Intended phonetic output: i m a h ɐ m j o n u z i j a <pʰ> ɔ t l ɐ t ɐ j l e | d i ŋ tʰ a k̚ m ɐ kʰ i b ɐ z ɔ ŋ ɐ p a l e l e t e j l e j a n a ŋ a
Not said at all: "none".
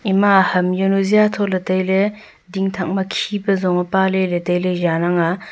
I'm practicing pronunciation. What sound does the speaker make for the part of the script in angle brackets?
tʰ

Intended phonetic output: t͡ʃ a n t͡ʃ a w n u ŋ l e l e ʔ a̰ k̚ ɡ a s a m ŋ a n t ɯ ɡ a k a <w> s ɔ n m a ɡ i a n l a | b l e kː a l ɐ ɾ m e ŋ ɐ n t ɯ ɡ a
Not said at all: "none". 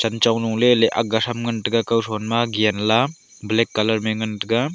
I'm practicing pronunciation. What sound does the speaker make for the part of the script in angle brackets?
w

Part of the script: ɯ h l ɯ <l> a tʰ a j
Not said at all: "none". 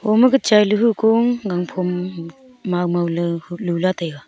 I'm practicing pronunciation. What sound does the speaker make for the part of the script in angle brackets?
l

